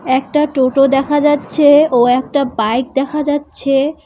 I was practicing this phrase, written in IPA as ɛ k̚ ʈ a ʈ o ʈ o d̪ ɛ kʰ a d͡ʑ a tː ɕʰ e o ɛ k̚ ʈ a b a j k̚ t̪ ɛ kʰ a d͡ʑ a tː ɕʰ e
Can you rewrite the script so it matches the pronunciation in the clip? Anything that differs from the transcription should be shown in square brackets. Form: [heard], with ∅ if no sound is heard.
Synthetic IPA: ɛ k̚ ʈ a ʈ o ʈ o d̪ ɛ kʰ a d͡ʑ a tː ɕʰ e o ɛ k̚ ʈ a b a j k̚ [d̪] ɛ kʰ a d͡ʑ a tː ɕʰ e

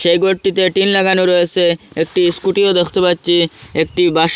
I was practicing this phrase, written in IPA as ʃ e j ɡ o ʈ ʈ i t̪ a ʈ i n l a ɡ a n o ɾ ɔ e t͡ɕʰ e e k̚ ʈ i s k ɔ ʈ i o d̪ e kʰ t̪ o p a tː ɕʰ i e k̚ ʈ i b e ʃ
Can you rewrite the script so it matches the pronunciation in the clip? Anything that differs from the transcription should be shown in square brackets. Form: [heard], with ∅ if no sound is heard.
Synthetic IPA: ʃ e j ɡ o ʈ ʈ i t̪ [e] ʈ i n l a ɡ a n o ɾ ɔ e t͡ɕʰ e e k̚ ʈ i s k [u] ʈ i o d̪ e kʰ t̪ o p a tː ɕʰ i e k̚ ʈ i b [a] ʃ

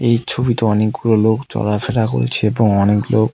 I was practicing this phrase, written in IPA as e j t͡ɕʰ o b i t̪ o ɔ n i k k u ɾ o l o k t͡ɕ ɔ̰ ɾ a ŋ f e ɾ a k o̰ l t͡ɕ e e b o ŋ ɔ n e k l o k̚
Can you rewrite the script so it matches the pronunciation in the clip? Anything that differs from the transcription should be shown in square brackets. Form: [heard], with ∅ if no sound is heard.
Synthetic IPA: e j t͡ɕʰ o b i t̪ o ɔ n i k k u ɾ o l o k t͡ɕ ɔ̰ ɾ a [∅] f e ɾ a k o̰ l [t͡ɕʰ] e e b o ŋ ɔ n e k l o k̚

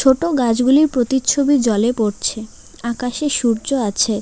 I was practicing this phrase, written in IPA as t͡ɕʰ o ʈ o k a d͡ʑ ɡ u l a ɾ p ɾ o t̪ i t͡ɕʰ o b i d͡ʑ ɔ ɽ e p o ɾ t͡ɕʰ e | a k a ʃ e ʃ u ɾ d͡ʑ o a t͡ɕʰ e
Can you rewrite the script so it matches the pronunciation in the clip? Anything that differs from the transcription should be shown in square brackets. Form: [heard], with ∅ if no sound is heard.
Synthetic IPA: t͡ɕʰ o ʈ o [ɡ] a d͡ʑ ɡ u l [i] ɾ p ɾ o t̪ i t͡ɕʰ o b i d͡ʑ ɔ [l] e p o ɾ t͡ɕʰ e | a k a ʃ e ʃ u ɾ d͡ʑ o a t͡ɕʰ e

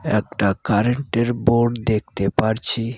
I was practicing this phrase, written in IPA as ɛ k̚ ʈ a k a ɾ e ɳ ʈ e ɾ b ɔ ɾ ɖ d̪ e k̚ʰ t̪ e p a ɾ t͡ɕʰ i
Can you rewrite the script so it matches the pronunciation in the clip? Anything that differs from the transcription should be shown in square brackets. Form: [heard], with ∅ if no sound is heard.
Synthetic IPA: ɛ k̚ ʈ a k a ɾ e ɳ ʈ e ɾ b [o] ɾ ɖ d̪ e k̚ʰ t̪ e p a ɾ t͡ɕʰ i

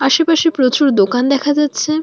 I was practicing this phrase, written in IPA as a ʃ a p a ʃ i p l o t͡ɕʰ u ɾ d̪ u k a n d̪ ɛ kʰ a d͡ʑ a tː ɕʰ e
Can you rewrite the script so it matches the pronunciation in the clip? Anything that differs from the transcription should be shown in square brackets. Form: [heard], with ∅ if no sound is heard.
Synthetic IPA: a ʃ [e] p a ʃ i p [ɾ] o [t͡ɕ] u ɾ d̪ [o] k a n d̪ ɛ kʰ a d͡ʑ a tː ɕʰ e

